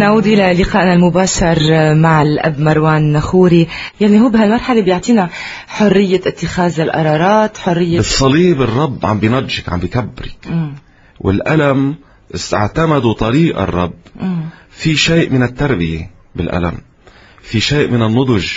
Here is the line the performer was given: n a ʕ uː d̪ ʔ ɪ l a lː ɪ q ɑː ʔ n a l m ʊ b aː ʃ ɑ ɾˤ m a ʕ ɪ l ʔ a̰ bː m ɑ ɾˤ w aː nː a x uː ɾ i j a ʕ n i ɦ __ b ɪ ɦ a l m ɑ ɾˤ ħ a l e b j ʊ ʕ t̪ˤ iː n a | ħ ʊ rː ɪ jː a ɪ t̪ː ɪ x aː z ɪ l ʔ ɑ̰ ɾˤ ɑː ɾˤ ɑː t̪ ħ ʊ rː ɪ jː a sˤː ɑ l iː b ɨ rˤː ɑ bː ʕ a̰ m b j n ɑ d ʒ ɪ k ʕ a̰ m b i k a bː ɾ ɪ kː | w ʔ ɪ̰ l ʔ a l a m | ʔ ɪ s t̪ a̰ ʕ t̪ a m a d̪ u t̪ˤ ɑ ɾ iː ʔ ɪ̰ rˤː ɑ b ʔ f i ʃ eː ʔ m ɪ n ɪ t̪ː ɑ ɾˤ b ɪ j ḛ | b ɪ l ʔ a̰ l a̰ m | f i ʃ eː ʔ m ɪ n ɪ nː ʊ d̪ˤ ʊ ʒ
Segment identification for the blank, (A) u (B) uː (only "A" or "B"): B